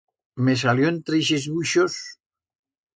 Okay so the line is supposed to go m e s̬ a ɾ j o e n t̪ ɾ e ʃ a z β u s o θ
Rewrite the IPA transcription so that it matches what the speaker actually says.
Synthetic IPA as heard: m e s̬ a l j o e n t̪ ɾ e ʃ e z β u ʃ o s